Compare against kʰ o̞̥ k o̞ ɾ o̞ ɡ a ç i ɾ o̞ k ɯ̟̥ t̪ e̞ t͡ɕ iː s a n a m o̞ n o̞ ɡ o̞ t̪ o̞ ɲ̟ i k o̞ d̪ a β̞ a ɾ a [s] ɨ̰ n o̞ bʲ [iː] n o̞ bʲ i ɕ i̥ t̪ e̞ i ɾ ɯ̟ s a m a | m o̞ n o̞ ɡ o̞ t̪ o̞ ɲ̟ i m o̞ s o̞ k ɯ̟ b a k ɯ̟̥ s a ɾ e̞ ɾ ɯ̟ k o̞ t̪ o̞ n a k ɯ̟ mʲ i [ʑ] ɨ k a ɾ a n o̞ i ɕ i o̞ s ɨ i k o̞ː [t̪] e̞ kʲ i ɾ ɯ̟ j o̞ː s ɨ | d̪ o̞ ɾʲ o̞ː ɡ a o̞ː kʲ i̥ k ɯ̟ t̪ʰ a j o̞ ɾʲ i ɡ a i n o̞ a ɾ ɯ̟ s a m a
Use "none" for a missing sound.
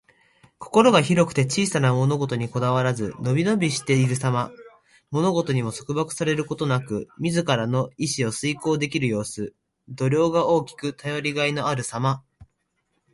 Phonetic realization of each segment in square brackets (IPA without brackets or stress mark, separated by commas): z, i, z, d̪